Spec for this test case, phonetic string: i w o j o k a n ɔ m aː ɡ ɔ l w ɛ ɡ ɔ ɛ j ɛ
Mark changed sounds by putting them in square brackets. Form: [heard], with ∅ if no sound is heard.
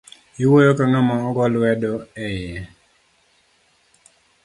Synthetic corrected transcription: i w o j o k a n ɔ m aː ɡ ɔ l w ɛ [d] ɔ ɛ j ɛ